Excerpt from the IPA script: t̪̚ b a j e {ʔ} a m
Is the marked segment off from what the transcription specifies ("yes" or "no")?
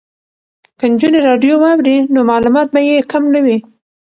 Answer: yes